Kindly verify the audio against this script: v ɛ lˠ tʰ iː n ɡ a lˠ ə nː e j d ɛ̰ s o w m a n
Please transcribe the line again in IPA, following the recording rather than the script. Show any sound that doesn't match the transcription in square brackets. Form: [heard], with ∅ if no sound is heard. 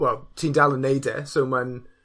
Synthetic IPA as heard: [w] ɛ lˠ tʰ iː n [d] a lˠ ə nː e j d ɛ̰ s o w m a n